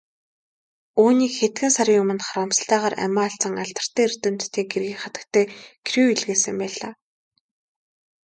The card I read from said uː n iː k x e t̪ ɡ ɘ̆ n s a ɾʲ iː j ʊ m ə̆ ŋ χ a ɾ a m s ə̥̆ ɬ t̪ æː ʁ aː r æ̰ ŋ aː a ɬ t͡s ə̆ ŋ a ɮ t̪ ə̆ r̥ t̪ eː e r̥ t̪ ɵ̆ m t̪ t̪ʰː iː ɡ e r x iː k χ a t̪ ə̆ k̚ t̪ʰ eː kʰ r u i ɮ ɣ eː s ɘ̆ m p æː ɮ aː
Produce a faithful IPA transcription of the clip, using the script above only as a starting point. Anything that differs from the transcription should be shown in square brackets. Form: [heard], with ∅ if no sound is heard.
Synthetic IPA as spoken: uː n iː k x e t̪ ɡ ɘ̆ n s a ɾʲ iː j ʊ m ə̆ [n] χ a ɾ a m s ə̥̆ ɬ t̪ æː ʁ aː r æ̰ [m] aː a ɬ t͡s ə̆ ŋ a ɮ t̪ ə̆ r̥ t̪ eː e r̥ t̪ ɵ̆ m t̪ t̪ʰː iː ɡ e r [ɣ] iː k χ a t̪ ə̆ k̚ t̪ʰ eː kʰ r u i ɮ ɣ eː s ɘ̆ m p æː ɮ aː